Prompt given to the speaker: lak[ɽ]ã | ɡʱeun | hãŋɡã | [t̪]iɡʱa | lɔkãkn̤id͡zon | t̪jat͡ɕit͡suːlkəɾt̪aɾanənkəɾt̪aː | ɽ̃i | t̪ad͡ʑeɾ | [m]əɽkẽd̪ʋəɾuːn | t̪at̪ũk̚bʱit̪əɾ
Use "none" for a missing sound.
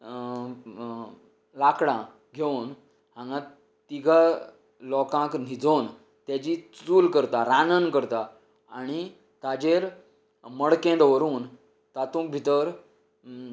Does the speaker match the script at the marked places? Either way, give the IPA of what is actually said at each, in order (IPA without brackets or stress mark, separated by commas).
ɽ, t̪, m